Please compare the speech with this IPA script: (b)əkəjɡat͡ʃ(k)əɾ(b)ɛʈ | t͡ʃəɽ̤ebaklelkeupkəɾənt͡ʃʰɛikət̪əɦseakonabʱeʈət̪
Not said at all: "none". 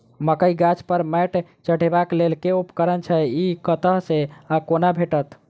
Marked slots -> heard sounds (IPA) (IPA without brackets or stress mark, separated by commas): m, p, m